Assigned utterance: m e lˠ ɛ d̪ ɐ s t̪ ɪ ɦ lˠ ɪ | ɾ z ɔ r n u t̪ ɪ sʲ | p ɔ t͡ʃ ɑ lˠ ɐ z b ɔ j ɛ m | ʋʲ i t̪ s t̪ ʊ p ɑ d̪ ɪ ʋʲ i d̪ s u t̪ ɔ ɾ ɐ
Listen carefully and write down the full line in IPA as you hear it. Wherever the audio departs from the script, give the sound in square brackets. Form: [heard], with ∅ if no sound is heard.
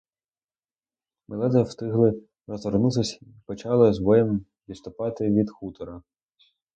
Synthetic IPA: m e lˠ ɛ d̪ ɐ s t̪ ɪ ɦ lˠ ɪ | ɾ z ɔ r n u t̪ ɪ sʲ | p ɔ t͡ʃ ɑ lˠ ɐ z b ɔ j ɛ m | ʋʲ i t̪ s t̪ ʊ p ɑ [t̪] ɪ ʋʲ i d̪ [x] u t̪ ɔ ɾ ɐ